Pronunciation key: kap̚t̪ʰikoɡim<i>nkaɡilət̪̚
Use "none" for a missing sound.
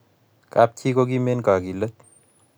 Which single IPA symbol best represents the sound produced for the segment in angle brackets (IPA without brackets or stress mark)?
e